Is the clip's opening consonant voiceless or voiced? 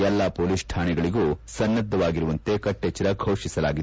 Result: voiced